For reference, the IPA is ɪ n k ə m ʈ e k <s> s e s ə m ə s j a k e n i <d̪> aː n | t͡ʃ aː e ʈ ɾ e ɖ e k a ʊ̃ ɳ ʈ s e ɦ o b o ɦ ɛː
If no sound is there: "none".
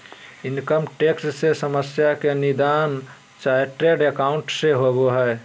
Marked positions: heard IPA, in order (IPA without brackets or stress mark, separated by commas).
s, d̪